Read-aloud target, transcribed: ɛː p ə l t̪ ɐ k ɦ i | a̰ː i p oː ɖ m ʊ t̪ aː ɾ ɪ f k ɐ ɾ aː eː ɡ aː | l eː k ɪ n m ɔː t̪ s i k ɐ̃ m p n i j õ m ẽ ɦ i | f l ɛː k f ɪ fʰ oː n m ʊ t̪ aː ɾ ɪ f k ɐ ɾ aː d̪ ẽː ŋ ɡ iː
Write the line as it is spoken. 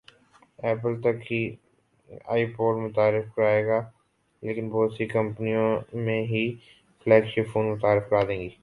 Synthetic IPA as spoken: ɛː p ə l t̪ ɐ k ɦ i | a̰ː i p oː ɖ m ʊ t̪ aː ɾ ɪ f k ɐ ɾ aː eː ɡ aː | l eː k ɪ n b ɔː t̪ s i k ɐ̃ m p n i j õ m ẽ ɦ i | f l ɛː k ʃ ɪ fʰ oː n m ʊ t̪ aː ɾ ɪ f k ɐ ɾ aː d̪ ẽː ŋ ɡ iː